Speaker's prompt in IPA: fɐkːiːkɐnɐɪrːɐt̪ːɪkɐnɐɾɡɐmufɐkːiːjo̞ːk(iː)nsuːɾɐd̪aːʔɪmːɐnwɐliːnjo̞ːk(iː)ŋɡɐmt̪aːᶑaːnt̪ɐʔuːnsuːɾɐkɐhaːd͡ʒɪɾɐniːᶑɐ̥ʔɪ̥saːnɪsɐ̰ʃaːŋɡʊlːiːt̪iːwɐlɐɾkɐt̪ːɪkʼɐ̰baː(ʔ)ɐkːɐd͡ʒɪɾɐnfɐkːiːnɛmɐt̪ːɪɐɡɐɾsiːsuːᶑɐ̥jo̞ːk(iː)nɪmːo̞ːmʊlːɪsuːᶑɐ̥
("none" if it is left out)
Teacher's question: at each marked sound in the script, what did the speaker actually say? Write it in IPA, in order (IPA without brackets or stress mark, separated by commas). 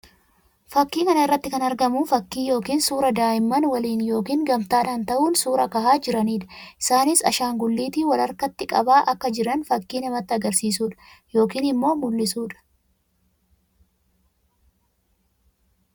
iː, iː, ʔ, iː